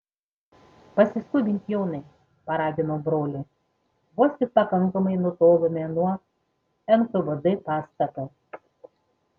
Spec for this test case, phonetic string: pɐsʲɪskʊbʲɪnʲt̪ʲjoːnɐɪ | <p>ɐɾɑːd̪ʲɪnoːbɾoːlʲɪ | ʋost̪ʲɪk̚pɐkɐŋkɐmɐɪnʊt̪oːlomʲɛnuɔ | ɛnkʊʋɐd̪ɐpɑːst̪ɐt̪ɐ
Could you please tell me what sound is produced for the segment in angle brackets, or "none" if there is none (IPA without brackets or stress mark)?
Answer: p